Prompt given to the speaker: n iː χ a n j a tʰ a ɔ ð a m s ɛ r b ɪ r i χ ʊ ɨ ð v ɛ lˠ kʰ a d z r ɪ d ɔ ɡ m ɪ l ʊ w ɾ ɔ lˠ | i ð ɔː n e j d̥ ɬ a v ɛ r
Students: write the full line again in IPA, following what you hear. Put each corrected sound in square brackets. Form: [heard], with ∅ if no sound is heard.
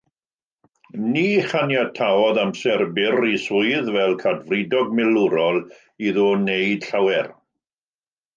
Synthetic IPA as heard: n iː χ a n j a tʰ a ɔ ð a m s ɛ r b ɪ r i [s] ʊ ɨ ð v ɛ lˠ kʰ a d [v] r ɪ d ɔ ɡ m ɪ l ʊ [∅] ɾ ɔ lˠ | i ð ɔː n e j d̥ ɬ a [w] ɛ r